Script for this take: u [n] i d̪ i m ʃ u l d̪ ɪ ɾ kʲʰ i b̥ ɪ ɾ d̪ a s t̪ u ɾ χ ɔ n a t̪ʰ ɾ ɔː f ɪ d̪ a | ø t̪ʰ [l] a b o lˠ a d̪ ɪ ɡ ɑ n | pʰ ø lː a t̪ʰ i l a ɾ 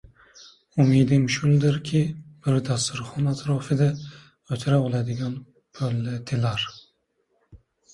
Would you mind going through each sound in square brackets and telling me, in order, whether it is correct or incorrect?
incorrect: m, incorrect: ɾ

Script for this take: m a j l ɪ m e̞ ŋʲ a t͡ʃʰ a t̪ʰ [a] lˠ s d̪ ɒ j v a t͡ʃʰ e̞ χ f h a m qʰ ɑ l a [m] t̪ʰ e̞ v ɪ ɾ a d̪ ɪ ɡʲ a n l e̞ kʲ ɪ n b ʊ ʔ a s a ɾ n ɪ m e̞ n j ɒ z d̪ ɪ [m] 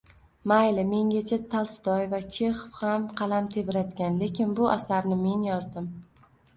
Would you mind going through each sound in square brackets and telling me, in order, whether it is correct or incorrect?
correct, correct, correct

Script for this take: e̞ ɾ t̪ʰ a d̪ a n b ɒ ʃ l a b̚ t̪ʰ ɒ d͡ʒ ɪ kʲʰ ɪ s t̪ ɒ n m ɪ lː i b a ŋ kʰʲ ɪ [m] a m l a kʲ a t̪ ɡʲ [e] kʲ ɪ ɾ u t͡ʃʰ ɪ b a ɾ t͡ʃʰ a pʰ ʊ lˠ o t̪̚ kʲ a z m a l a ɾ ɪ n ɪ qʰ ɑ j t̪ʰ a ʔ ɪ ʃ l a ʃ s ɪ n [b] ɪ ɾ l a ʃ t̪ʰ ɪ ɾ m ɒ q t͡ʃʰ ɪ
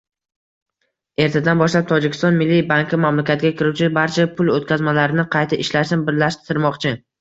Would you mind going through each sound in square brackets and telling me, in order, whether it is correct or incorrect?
correct, incorrect: a, correct

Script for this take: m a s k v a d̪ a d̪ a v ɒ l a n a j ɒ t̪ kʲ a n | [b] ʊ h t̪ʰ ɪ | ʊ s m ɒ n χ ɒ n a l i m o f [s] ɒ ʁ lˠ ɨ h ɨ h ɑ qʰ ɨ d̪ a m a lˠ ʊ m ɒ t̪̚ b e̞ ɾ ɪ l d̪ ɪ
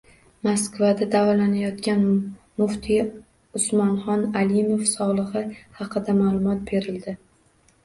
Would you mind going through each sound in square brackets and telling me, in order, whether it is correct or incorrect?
incorrect: m, correct

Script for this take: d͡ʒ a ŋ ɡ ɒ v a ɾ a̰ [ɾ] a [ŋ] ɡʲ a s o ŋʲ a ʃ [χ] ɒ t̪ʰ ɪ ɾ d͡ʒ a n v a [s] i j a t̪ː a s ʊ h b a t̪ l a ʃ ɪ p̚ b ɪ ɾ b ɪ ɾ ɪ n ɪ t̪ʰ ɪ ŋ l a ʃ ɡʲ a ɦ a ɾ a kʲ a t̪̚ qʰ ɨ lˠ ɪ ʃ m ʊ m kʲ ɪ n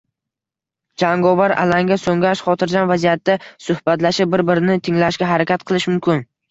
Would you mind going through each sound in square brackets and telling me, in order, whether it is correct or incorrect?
incorrect: l, correct, correct, incorrect: z

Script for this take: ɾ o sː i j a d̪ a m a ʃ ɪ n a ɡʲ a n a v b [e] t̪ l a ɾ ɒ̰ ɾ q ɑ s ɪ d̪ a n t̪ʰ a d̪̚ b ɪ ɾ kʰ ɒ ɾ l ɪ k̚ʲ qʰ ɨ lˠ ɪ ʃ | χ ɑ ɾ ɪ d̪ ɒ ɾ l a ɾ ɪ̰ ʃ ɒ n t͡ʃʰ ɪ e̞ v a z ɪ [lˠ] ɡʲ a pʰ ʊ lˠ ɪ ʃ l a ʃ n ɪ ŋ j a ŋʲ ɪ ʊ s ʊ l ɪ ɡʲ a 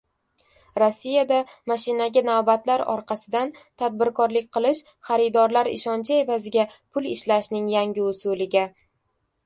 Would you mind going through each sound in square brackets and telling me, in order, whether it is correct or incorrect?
incorrect: a, incorrect: none

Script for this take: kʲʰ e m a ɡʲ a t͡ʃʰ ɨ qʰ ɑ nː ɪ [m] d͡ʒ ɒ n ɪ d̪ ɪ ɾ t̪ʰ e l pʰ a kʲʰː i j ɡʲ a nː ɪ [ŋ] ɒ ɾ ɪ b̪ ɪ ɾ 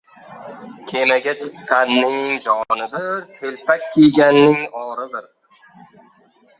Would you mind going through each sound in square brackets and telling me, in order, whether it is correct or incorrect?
incorrect: ŋ, correct

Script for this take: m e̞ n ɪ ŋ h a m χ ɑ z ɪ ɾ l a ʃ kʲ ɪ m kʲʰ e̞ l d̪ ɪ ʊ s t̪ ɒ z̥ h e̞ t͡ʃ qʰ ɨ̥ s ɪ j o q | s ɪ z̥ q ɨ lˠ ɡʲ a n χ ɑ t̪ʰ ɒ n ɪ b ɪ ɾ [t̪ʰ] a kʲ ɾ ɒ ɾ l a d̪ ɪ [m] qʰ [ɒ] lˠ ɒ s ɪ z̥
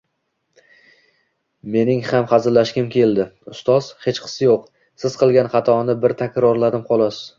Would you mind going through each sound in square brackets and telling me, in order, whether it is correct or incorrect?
correct, correct, correct

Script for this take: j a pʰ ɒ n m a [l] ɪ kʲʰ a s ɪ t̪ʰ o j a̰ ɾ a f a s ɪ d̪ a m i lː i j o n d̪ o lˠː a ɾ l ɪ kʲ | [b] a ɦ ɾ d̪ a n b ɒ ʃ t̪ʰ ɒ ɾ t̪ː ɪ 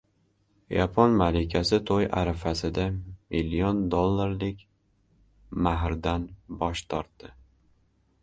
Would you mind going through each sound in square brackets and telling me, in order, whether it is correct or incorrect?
correct, incorrect: m

